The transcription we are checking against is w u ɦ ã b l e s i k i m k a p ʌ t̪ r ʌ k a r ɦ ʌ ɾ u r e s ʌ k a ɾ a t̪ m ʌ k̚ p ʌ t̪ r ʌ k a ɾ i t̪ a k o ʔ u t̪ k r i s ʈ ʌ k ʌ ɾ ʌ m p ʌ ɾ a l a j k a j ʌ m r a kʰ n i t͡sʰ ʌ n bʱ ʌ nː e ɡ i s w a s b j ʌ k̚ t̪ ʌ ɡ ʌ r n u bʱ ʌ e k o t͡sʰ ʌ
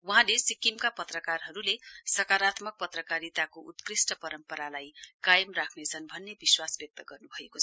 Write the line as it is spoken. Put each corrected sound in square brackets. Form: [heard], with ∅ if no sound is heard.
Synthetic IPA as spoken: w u ɦ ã [∅] l e s i k i m k a p ʌ t̪ r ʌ k a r ɦ ʌ ɾ u [l] e s ʌ k a ɾ a t̪ m ʌ k̚ p ʌ t̪ r ʌ k a ɾ i t̪ a k o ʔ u t̪ k r i s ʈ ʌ [p] ʌ ɾ ʌ m p ʌ ɾ a l a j k a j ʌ m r a kʰ n [e] t͡sʰ ʌ n bʱ ʌ nː e [b] i s w a s b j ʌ k̚ t̪ ʌ ɡ ʌ r n u bʱ ʌ e k o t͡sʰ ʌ